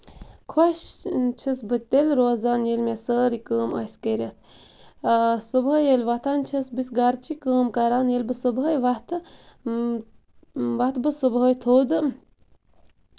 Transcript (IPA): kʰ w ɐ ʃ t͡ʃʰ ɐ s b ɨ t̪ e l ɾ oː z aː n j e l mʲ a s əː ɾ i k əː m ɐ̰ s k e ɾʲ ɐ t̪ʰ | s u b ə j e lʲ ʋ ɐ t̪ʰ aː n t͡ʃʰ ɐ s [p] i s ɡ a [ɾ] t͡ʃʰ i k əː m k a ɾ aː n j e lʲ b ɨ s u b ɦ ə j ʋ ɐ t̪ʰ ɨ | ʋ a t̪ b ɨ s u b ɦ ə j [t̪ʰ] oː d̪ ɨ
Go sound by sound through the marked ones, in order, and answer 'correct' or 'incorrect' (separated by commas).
incorrect, correct, correct